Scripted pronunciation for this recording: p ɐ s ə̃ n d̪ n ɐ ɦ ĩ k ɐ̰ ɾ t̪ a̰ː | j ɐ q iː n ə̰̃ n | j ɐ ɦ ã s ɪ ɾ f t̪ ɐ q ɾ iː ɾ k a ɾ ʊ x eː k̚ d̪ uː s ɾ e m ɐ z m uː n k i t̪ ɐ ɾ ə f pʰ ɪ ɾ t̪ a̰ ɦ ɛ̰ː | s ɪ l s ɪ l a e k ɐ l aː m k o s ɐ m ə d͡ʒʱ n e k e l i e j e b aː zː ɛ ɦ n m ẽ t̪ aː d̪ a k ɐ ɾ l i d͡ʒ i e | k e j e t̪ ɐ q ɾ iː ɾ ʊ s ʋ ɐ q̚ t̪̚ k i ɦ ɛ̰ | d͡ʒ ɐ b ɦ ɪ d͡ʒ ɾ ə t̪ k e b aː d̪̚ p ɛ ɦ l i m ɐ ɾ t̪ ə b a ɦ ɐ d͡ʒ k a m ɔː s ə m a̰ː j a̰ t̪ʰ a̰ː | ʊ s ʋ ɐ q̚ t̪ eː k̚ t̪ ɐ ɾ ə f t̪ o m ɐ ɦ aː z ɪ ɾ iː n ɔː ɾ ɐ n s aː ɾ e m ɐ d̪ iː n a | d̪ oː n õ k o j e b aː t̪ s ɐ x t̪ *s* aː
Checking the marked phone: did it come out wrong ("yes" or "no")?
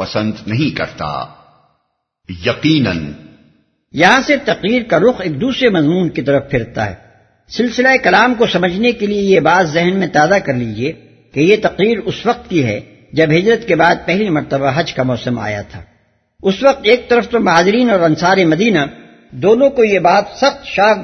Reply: yes